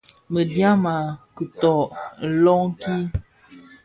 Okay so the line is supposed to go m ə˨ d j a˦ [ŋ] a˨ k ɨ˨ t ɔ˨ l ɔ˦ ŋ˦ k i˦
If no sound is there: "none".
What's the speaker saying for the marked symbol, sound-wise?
m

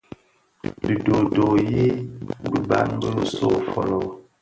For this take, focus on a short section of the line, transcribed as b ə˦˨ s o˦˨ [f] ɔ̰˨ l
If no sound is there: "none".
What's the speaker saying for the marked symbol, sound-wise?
f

